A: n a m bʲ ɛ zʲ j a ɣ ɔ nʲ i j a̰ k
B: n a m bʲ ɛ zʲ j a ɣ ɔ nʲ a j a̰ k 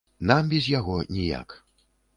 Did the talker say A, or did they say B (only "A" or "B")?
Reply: A